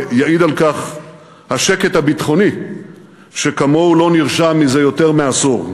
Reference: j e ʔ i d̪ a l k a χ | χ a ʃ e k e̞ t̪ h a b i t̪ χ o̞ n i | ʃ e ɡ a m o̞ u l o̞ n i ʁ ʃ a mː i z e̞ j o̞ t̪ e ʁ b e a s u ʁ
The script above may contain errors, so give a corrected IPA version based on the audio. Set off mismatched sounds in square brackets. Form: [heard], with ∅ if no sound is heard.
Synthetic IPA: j [a] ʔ i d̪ a l k a χ | [h] a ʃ e k e̞ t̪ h a b i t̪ χ o̞ n i | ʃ e [k] a m o̞ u l o̞ n i ʁ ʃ a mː i z e̞ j o̞ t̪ e ʁ [m] e a s u ʁ